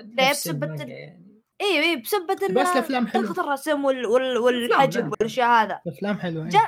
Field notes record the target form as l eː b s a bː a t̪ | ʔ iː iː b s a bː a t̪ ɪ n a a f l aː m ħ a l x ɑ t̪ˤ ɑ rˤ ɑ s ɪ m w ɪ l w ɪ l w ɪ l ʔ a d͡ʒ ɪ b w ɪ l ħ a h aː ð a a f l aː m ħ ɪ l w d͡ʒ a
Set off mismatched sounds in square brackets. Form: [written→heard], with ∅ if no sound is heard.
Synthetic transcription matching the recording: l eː b s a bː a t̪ | ʔ iː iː b s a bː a t̪ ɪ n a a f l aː m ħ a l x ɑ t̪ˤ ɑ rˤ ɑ s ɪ m w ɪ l w ɪ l w ɪ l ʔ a d͡ʒ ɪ b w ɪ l [ħ→ʃ] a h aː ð a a f l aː m ħ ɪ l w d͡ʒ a